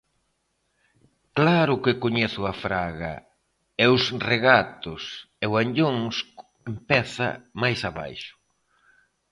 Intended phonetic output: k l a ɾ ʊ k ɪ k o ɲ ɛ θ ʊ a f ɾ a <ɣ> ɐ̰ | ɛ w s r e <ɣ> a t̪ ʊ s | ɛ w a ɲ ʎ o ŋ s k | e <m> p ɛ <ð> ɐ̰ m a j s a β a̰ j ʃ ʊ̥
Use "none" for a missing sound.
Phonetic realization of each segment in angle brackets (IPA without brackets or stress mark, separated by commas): ɣ, ɣ, m, θ